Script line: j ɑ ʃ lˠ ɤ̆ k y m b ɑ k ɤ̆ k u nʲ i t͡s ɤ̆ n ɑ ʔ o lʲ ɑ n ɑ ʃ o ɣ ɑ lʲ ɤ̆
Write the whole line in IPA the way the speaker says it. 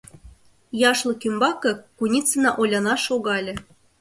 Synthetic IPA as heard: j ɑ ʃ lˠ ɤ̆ k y m b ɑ k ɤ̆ k u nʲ i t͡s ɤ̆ n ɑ ʔ o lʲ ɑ n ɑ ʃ o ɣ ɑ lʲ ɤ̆